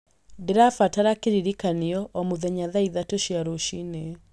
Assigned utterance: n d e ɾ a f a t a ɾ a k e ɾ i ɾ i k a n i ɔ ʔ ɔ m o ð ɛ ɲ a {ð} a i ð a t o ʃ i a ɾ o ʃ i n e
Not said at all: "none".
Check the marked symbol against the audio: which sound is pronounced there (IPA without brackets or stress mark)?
ð